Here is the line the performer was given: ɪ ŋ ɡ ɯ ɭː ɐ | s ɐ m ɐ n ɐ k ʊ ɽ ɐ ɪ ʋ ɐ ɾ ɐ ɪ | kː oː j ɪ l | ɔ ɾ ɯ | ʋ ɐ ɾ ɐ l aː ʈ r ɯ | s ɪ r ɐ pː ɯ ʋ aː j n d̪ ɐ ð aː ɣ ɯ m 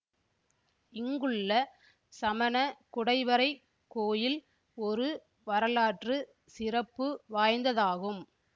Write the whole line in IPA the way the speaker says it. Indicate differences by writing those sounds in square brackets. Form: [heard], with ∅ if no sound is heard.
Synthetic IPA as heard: ɪ ŋ ɡ ɯ ɭː ɐ | s ɐ m ɐ n ɐ k ʊ ɽ ɐ ɪ ʋ ɐ ɾ ɐ ɪ | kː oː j ɪ l | ɔ ɾ ɯ | ʋ ɐ ɾ ɐ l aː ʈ r ɯ | s ɪ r ɐ pː ɯ ʋ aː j n d̪ ɐ ð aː ɣ ɯ m